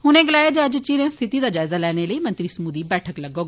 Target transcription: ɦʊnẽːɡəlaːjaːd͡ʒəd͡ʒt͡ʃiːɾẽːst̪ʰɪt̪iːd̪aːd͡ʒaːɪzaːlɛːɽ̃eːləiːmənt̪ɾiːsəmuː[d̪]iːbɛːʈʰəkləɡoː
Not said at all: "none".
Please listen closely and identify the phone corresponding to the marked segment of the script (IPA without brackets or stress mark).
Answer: d̪